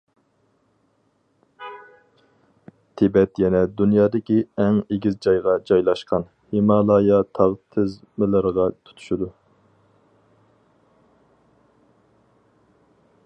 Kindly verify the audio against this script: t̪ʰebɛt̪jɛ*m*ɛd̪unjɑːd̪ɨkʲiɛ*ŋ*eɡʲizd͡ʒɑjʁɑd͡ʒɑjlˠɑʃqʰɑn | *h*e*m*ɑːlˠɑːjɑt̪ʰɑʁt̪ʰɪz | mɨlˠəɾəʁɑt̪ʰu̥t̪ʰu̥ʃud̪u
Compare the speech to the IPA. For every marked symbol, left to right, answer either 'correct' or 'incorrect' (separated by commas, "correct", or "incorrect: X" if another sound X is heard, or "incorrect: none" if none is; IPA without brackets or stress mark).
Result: incorrect: n, correct, correct, correct